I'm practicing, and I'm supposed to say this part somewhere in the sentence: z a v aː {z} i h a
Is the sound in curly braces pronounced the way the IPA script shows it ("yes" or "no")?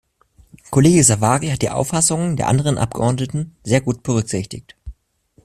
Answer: no